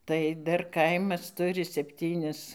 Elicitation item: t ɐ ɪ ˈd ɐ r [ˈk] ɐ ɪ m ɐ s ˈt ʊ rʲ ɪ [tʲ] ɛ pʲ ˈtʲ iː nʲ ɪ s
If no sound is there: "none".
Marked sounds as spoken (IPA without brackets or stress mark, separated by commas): k, sʲ